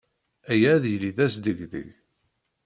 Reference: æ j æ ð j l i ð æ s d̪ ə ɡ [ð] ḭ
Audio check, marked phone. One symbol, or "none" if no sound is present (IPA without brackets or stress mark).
ð